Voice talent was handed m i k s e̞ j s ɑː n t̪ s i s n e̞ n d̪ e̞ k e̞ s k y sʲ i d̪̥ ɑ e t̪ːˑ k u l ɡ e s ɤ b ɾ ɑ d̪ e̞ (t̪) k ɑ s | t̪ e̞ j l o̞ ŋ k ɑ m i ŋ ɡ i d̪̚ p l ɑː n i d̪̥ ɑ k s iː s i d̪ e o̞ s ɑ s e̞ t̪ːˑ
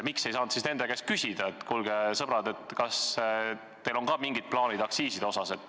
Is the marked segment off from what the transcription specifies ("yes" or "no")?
no